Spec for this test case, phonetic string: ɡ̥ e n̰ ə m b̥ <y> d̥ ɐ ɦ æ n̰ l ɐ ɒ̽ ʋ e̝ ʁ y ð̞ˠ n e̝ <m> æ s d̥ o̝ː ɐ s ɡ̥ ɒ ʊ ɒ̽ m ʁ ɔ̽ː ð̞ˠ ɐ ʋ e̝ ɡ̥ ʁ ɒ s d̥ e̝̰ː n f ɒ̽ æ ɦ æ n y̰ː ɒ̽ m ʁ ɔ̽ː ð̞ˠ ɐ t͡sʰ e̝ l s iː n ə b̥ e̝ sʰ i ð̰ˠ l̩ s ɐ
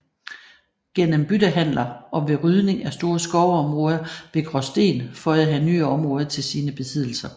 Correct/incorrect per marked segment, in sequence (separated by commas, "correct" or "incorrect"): correct, incorrect